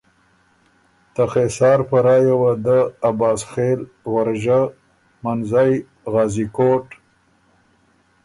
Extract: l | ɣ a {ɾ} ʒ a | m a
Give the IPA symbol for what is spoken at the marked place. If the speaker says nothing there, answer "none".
ɾ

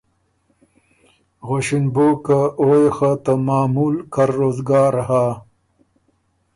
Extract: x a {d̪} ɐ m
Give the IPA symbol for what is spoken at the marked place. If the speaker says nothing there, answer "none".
t̪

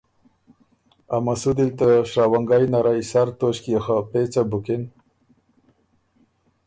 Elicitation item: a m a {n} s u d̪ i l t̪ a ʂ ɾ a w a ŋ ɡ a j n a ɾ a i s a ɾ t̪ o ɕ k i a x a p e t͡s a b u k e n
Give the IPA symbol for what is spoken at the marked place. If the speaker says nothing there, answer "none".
none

